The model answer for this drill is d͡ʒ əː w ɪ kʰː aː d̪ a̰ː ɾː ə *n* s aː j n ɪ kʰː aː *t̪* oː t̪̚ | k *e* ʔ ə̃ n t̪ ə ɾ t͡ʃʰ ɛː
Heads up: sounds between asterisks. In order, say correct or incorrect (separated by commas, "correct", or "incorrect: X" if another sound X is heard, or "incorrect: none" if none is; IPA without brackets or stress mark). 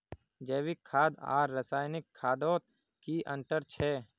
incorrect: none, incorrect: d̪, incorrect: i